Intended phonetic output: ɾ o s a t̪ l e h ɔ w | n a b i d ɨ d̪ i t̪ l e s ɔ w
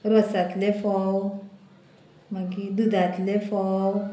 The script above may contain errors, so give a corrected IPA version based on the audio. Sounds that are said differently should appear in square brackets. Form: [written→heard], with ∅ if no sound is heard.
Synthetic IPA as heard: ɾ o s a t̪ l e [h→f] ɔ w | [n→m] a [b→ɡ] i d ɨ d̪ [i→a] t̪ l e [s→f] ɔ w